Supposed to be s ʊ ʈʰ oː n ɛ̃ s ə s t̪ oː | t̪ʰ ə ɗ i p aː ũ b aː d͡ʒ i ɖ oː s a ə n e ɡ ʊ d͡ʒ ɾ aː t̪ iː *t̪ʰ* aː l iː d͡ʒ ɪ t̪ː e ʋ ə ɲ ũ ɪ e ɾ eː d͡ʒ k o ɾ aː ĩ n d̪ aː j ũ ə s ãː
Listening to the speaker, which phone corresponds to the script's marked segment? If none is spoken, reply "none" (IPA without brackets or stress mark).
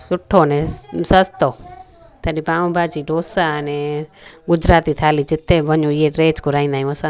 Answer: t̪ʰ